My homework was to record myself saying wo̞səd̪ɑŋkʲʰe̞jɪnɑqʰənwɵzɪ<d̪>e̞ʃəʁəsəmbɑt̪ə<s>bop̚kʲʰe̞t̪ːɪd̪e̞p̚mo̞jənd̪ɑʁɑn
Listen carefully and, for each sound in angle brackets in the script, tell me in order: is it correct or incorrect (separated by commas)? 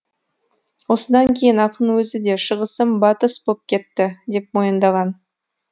correct, correct